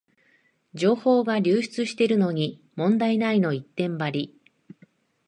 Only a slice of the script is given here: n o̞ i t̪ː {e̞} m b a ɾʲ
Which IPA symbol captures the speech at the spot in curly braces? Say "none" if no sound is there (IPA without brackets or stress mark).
ẽ̞